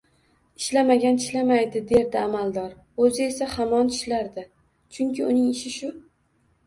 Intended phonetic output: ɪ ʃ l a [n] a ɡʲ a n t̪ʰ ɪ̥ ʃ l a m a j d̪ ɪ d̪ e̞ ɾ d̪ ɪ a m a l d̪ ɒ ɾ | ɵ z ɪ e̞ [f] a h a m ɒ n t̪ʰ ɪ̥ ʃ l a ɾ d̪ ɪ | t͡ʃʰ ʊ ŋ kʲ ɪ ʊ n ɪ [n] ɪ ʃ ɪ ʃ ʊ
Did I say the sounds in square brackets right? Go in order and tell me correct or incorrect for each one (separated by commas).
incorrect, incorrect, incorrect